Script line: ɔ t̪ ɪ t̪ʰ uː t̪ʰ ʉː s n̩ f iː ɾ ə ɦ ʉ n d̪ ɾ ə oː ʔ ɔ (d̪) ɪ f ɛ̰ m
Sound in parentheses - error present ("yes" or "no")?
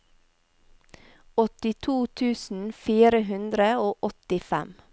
yes